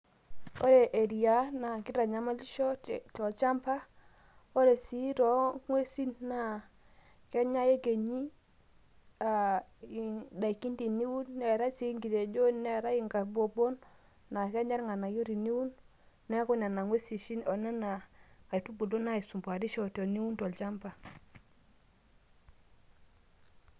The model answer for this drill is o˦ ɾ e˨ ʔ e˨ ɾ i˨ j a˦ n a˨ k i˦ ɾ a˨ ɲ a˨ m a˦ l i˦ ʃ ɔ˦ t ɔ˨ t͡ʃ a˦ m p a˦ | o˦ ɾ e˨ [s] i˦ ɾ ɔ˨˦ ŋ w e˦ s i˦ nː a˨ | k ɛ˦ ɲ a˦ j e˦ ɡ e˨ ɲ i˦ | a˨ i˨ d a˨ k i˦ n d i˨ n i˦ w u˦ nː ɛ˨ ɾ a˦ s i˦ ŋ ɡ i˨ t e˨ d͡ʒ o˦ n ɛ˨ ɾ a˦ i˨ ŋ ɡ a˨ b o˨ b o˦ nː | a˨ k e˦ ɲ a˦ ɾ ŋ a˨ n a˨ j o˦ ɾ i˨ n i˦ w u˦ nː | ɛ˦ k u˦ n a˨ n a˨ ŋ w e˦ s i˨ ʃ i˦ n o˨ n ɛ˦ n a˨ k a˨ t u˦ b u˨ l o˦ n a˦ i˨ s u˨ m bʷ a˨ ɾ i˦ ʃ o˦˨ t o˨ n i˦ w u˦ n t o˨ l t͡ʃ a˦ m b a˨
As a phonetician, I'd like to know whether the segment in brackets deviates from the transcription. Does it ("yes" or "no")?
no